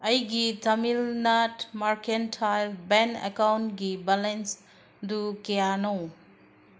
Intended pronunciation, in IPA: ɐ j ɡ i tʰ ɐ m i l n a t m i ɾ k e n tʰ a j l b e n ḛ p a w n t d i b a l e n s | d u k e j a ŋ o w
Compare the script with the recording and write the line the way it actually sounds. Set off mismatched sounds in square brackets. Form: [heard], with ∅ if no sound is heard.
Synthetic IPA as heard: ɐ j ɡ i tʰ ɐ m i l n a t m [a] ɾ k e n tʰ a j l b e n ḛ [k] a w n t [ɡ] i b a l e n s | d u k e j a [n] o w